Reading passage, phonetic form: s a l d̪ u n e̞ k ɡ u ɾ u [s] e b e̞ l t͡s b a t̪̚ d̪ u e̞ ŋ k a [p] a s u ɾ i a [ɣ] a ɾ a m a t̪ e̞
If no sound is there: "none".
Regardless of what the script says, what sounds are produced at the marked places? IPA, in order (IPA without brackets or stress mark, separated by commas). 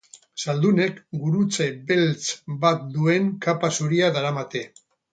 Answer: t͡s, p, ð